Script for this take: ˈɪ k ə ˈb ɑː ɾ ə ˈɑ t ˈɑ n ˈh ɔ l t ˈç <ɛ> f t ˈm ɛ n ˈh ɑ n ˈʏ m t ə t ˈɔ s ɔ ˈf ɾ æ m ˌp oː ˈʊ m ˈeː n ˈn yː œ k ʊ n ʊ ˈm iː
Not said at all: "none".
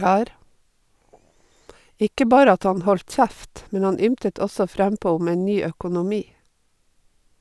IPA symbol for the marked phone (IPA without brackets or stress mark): æ